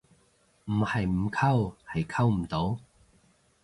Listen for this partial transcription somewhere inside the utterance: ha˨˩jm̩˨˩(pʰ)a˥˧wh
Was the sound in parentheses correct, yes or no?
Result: no